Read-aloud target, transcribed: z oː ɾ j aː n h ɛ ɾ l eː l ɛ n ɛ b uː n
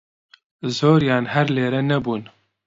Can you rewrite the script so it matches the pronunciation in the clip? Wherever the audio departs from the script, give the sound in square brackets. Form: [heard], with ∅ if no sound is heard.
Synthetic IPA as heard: z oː ɾ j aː n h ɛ ɾ l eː [ɾ] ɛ n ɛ b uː n